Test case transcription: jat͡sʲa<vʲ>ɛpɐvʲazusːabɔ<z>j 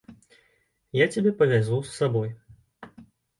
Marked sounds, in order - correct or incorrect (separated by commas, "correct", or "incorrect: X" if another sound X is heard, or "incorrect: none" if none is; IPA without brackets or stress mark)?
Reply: incorrect: bʲ, incorrect: none